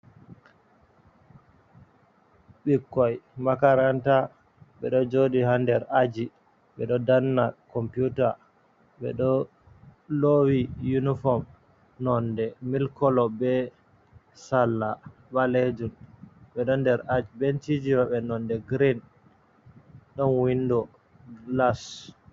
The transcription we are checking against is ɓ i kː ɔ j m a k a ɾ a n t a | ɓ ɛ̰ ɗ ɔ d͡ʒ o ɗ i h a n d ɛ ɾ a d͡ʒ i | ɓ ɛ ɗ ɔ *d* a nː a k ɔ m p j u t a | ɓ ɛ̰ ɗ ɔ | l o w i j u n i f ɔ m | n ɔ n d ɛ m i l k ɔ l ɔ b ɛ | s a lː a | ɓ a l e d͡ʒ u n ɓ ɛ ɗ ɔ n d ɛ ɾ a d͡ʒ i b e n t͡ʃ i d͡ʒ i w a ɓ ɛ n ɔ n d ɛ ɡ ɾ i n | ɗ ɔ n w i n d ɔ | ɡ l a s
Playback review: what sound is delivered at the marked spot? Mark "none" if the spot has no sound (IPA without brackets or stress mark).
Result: d